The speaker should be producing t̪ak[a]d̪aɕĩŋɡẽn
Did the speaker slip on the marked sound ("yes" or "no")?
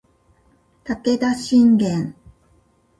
yes